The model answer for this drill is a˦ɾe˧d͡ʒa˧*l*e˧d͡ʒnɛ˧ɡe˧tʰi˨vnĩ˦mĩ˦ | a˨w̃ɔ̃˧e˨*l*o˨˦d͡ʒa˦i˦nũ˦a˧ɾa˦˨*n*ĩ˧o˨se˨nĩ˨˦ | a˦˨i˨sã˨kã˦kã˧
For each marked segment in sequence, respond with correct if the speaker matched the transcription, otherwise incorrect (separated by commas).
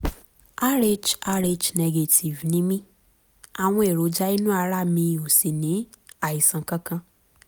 incorrect, incorrect, incorrect